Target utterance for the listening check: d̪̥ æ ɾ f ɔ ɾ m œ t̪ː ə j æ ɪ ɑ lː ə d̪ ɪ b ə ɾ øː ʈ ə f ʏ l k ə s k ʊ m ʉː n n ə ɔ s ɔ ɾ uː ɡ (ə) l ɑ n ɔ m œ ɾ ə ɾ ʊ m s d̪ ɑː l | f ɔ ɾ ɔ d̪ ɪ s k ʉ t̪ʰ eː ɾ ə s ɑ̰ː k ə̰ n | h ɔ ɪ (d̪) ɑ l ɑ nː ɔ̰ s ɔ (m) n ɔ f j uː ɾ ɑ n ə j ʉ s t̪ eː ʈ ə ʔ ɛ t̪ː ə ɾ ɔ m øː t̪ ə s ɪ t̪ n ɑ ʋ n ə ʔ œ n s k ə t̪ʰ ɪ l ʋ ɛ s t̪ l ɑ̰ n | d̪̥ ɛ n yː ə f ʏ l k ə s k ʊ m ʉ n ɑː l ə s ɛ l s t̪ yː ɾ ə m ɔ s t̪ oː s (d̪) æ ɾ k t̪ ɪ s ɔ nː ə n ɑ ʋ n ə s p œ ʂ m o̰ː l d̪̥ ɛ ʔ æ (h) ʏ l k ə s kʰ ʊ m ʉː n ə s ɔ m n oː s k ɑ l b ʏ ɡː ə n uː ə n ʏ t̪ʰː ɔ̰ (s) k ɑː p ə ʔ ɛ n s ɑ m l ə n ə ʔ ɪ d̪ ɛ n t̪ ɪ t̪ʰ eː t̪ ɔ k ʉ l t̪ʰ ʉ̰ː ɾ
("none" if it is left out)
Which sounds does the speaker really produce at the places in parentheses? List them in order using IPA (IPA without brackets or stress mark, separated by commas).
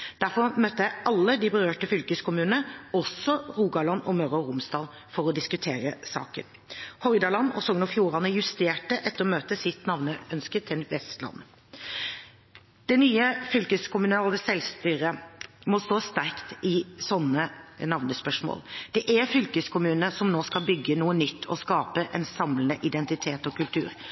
ɑ, d̪, ŋ, t̪, f, s